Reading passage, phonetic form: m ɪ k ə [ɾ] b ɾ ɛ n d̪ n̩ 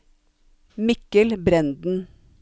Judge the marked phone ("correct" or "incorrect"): incorrect